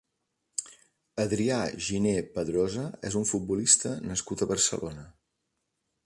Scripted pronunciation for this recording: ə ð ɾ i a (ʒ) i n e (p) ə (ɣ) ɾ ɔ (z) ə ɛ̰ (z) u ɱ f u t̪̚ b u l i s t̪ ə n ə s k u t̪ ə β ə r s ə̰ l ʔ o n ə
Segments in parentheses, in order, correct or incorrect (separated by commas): correct, correct, incorrect, correct, correct